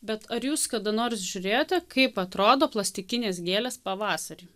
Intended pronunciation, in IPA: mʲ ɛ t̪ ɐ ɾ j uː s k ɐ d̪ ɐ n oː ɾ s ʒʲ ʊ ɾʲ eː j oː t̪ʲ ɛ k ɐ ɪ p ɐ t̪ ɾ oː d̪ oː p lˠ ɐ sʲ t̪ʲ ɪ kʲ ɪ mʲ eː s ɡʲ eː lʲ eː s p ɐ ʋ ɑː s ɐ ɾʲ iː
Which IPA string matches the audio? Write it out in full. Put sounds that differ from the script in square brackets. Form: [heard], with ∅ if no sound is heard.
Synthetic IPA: [bʲ] ɛ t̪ ɐ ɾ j uː s k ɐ d̪ ɐ n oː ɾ s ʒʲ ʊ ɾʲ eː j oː t̪ʲ ɛ k ɐ ɪ p ɐ t̪ ɾ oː d̪ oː p lˠ ɐ sʲ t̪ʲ ɪ kʲ ɪ [nʲ] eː s ɡʲ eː lʲ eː s p ɐ ʋ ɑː s ɐ ɾʲ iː

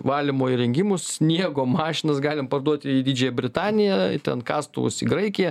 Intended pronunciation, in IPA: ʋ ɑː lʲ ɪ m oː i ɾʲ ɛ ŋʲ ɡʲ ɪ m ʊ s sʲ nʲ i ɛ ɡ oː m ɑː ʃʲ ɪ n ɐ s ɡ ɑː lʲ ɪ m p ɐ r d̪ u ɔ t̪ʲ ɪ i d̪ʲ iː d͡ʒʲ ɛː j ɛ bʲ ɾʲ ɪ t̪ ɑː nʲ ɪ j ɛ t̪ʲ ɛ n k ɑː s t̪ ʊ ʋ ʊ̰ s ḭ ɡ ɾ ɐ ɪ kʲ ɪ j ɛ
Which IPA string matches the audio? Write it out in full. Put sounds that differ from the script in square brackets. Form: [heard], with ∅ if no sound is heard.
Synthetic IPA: ʋ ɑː lʲ ɪ m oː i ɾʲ ɛ ŋʲ ɡʲ ɪ m ʊ s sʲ nʲ i ɛ ɡ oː m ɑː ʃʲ ɪ n ɐ s ɡ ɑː lʲ ɪ m p ɐ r d̪ u ɔ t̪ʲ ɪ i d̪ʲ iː d͡ʒʲ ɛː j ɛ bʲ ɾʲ ɪ t̪ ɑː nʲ ɪ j ɛ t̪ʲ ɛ n k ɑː s t̪ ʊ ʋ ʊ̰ s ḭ ɡ ɾ ɐ ɪ kʲ ɪ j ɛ

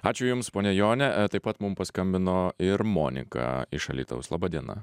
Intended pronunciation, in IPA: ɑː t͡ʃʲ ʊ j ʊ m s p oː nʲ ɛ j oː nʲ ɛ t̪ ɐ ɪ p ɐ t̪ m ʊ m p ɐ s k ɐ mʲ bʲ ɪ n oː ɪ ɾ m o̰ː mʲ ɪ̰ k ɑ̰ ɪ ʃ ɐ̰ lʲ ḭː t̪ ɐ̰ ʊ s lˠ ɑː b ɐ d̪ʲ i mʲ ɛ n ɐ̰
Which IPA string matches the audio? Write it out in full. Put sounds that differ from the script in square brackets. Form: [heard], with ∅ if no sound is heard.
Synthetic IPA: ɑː t͡ʃʲ ʊ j ʊ m s p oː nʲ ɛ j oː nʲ ɛ t̪ ɐ ɪ p ɐ t̪ m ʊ m p ɐ s k ɐ mʲ bʲ ɪ n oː ɪ ɾ m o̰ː [nʲ] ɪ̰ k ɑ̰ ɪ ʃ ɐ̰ lʲ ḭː t̪ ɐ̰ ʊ s lˠ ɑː b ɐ d̪ʲ i [∅] ɛ n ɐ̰

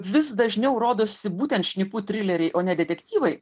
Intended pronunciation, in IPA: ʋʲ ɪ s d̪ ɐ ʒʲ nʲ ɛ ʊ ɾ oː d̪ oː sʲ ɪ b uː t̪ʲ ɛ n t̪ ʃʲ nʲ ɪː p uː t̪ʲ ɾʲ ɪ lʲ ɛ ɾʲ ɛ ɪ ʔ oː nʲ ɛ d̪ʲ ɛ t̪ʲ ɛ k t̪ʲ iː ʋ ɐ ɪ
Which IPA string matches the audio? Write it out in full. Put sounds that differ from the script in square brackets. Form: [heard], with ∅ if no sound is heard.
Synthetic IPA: ʋʲ ɪ s d̪ ɐ ʒʲ nʲ ɛ ʊ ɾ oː d̪ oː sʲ ɪ b uː t̪ʲ ɛ n t̪ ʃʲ nʲ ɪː p uː t̪ʲ ɾʲ ɪ lʲ ɛ ɾʲ ɛ ɪ ʔ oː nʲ ɛ d̪ʲ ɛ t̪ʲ ɛ k t̪ʲ iː ʋ ɐ ɪ

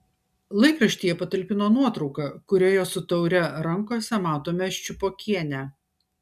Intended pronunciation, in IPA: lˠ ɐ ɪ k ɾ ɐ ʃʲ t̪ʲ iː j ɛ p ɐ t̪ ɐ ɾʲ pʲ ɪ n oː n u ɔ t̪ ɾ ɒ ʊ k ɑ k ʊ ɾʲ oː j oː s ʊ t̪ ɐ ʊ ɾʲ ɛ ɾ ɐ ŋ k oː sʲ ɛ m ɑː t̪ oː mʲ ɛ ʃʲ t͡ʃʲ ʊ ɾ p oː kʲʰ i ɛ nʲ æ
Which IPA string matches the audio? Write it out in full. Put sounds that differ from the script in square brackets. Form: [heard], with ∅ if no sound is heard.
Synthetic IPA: lˠ ɐ ɪ k ɾ ɐ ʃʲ t̪ʲ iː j ɛ p ɐ t̪ ɐ [lʲ] pʲ ɪ n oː n u ɔ t̪ ɾ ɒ ʊ k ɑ k ʊ ɾʲ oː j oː s ʊ t̪ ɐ ʊ ɾʲ ɛ ɾ ɐ ŋ k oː sʲ ɛ m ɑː t̪ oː mʲ ɛ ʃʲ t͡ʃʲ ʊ [∅] p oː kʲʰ i ɛ nʲ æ

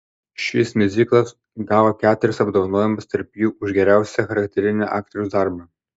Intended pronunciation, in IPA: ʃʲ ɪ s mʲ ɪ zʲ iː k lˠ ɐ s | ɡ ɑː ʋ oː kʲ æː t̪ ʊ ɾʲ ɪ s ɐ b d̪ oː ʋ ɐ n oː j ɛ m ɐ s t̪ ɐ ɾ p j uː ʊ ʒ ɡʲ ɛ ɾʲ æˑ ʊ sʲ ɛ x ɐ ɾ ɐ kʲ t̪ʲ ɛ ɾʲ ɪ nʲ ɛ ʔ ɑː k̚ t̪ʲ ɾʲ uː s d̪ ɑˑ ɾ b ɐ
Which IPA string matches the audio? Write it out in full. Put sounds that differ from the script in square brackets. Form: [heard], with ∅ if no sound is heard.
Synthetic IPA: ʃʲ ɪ s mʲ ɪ zʲ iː k lˠ ɐ s | ɡ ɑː ʋ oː kʲ æː t̪ ʊ ɾʲ ɪ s ɐ b d̪ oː ʋ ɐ n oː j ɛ m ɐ s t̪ ɐ ɾ p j uː ʊ ʒ ɡʲ ɛ ɾʲ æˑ ʊ sʲ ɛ x ɐ ɾ ɐ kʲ t̪ʲ ɛ ɾʲ ɪ nʲ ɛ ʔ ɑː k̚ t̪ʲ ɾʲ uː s d̪ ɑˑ ɾ b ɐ

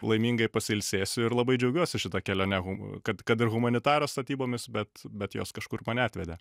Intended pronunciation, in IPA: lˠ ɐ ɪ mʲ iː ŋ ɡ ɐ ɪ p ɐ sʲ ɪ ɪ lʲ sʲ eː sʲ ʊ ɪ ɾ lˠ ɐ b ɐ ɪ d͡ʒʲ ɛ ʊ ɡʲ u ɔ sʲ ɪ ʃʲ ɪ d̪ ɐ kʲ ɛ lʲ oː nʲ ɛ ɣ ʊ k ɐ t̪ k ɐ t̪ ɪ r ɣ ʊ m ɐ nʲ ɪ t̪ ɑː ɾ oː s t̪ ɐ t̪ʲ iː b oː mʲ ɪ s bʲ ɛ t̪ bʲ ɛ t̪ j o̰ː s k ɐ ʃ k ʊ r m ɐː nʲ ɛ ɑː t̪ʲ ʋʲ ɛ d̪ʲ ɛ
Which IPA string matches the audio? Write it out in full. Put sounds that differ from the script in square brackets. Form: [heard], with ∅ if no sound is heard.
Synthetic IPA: lˠ ɐ ɪ mʲ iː ŋ ɡ ɐ ɪ p ɐ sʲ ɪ ɪ lʲ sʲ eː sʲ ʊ ɪ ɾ lˠ ɐ b ɐ ɪ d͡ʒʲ ɛ ʊ ɡʲ u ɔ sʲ ɪ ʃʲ ɪ [t̪] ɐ kʲ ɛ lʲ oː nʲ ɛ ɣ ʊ k ɐ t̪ k ɐ t̪ ɪ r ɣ ʊ m ɐ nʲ ɪ t̪ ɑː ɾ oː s t̪ ɐ t̪ʲ iː b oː mʲ ɪ s bʲ ɛ t̪ bʲ ɛ t̪ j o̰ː s k ɐ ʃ k ʊ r m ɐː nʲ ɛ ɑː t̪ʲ ʋʲ ɛ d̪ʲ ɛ

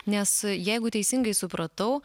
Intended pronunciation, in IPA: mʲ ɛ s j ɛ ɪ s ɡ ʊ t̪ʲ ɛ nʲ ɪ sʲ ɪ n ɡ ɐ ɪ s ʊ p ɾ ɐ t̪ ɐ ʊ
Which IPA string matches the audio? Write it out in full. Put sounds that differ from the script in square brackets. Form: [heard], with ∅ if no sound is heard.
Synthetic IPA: [nʲ] ɛ s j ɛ ɪ [∅] ɡ ʊ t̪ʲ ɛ [∅] ɪ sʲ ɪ [ŋ] ɡ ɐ ɪ s ʊ p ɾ ɐ t̪ ɐ ʊ

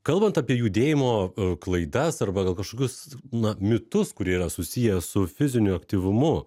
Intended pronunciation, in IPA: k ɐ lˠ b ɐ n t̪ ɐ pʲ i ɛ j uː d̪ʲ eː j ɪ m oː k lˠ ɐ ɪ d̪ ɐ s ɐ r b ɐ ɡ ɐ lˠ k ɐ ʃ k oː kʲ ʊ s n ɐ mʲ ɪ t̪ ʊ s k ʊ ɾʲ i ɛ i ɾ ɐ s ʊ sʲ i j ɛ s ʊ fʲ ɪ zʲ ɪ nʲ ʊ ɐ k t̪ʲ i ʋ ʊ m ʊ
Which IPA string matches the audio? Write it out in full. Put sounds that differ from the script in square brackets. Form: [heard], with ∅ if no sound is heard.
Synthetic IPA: k ɐ lˠ b ɐ n t̪ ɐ pʲ i ɛ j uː d̪ʲ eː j ɪ m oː k lˠ ɐ ɪ d̪ ɐ s ɐ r b ɐ ɡ ɐ lˠ k ɐ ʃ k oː kʲ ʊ s n ɐ mʲ ɪ t̪ ʊ s k ʊ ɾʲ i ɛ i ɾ ɐ s ʊ sʲ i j ɛ s ʊ fʲ ɪ zʲ ɪ nʲ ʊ ɐ k t̪ʲ i ʋ ʊ m ʊ

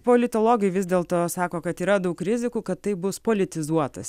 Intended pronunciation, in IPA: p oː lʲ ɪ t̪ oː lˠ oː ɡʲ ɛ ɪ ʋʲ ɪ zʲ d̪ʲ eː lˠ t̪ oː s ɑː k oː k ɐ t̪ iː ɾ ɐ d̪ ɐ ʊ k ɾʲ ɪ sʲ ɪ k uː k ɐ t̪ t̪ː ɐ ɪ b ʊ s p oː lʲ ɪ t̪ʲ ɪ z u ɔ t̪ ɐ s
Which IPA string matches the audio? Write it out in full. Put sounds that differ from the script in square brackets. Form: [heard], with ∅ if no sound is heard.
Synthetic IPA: p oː lʲ ɪ t̪ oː lˠ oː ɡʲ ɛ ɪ ʋʲ ɪ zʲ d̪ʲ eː lˠ t̪ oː s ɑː k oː k ɐ t̪ iː ɾ ɐ d̪ ɐ ʊ k ɾʲ ɪ [zʲ] ɪ k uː k ɐ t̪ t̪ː ɐ ɪ b ʊ s p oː lʲ ɪ t̪ʲ ɪ z u ɔ t̪ ɐ s

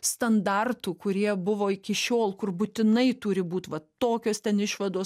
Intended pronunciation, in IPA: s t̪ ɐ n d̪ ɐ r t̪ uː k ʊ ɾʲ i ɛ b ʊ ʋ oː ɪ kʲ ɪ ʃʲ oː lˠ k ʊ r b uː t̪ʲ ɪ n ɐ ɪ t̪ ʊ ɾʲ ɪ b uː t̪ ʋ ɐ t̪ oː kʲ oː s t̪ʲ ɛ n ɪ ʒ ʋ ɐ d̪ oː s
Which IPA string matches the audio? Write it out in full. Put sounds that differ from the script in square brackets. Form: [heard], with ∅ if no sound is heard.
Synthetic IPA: s t̪ ɐ n d̪ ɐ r t̪ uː k ʊ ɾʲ i ɛ b ʊ ʋ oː ɪ kʲ ɪ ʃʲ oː lˠ k ʊ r b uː t̪ʲ ɪ n ɐ ɪ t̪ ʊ ɾʲ ɪ b uː t̪ ʋ ɐ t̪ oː kʲ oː s t̪ʲ ɛ n ɪ [ʃ] ʋ ɐ d̪ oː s

